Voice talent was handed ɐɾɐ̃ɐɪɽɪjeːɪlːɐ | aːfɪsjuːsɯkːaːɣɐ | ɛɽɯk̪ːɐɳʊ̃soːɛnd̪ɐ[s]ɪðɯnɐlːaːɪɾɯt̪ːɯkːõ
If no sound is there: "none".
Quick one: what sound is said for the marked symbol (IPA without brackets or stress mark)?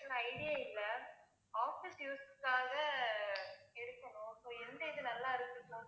none